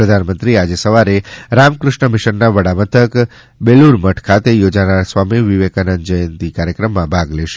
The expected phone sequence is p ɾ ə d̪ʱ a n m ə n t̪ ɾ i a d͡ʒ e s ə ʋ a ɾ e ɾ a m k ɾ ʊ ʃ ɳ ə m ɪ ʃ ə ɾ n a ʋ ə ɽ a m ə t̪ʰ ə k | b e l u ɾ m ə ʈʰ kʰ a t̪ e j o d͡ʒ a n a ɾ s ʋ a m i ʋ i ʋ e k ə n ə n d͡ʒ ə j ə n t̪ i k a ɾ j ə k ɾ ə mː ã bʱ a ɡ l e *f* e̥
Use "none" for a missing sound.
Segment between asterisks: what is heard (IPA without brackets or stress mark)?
ʃ